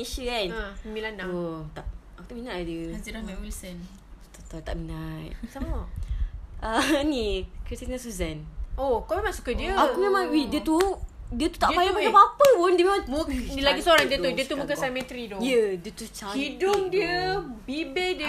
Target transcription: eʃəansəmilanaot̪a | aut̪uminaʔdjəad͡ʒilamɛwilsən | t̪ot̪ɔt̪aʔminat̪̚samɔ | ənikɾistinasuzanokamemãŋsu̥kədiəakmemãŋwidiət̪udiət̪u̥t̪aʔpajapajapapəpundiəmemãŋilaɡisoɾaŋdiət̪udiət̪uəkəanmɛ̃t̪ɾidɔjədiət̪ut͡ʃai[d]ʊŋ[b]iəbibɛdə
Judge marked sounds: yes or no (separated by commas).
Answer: yes, no